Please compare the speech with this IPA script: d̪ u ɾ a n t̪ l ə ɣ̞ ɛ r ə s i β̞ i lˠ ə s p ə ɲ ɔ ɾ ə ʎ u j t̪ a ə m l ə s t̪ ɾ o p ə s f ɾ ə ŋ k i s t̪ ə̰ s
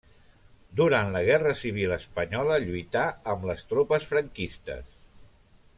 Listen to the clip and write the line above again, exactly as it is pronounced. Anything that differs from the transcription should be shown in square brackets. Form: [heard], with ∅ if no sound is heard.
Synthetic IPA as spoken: d̪ u ɾ a n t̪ l ə ɣ̞ ɛ r ə s i β̞ i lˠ ə s p ə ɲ ɔ [l] ə ʎ u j t̪ a ə m l ə s t̪ ɾ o p ə s f ɾ ə ŋ k i s t̪ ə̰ s